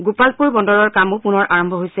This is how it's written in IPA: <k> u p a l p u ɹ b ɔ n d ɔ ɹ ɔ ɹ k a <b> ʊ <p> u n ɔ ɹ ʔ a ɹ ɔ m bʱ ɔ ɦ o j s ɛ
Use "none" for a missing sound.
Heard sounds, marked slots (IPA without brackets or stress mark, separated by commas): ɡ, m, p